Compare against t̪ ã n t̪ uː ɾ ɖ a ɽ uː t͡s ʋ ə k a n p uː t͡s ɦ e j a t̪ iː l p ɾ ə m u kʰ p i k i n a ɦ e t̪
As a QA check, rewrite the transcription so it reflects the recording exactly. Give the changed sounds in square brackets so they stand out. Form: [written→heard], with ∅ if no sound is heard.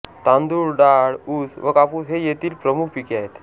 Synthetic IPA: t̪ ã n [t̪→d̪] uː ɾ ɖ a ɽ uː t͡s ʋ ə k a [n→∅] p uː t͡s ɦ e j [a→e] t̪ iː l p ɾ ə m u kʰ p i k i [n→∅] a ɦ e t̪